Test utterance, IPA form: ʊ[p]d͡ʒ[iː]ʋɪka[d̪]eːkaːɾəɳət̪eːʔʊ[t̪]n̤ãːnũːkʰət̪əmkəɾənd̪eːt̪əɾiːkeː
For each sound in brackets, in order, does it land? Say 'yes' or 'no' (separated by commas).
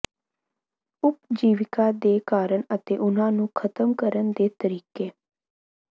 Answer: yes, yes, yes, no